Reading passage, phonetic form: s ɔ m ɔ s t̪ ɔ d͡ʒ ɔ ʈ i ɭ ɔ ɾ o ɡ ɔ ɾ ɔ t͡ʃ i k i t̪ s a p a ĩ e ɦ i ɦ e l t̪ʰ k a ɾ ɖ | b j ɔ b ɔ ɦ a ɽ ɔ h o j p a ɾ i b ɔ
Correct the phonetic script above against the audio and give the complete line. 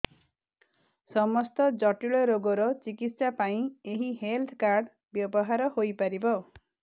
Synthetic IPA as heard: s ɔ m ɔ s t̪ ɔ d͡ʒ ɔ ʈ i ɭ ɔ ɾ o ɡ ɔ ɾ ɔ t͡ʃ i k i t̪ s a p a ĩ e ɦ i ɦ e l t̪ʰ k a ɾ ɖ | b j ɔ b ɔ ɦ a ɾ ɔ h o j p a ɾ i b ɔ